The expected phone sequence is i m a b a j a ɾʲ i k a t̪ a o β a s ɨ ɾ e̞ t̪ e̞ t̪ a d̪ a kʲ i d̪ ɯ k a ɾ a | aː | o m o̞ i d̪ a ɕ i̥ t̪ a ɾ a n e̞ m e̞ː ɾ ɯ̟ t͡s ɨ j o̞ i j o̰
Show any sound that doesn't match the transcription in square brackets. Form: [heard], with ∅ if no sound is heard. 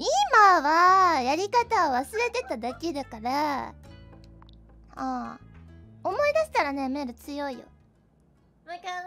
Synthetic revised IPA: i m a [β] a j a ɾʲ i k a t̪ a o β a s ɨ ɾ e̞ t̪ e̞ t̪ a d̪ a kʲ i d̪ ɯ k a ɾ a | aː | o m o̞ i d̪ a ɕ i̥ t̪ a ɾ a n e̞ m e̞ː ɾ ɯ̟ t͡s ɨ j o̞ i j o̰

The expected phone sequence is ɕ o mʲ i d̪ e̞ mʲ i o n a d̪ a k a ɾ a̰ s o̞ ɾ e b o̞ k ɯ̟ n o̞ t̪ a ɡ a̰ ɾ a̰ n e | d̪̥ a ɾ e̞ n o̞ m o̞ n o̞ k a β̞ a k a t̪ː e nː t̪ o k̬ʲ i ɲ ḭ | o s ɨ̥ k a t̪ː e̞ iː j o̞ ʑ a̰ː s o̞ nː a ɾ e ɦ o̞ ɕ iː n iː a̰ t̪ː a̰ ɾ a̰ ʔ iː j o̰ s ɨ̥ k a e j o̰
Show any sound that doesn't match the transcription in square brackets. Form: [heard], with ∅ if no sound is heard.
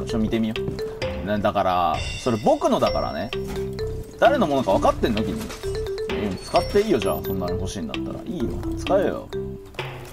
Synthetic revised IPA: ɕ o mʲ i [t̪] e̞ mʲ i o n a d̪ a k a ɾ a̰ s o̞ ɾ e b o̞ k ɯ̟ n o̞ [d̪] a [k] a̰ ɾ a̰ n e | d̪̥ a ɾ e̞ n o̞ m o̞ n o̞ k a β̞ a k a t̪ː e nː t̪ o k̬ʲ i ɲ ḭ | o [t͡s] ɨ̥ k a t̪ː e̞ iː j o̞ ʑ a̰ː s o̞ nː a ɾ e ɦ o̞ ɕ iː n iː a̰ t̪ː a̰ ɾ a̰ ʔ iː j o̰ [t͡s] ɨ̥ k a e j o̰

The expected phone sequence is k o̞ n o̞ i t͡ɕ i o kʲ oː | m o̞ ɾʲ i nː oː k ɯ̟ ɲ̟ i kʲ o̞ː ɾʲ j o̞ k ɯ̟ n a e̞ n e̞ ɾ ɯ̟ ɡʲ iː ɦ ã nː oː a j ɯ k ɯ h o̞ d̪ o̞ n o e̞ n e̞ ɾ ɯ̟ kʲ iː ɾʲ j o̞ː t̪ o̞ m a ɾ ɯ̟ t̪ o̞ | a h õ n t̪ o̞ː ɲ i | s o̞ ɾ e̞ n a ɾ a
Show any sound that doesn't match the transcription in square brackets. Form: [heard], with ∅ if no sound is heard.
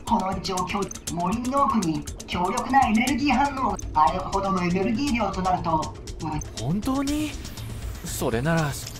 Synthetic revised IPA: k o̞ n o̞ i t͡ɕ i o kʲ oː | m o̞ ɾʲ i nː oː k ɯ̟ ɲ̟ i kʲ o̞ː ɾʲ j o̞ k ɯ̟ n a e̞ n e̞ ɾ ɯ̟ ɡʲ iː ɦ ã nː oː a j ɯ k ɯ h o̞ d̪ o̞ n o e̞ n e̞ ɾ ɯ̟ [ɡʲ] iː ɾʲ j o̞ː t̪ o̞ [n] a ɾ ɯ̟ t̪ o̞ | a h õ n t̪ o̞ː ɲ i | s o̞ ɾ e̞ n a ɾ a

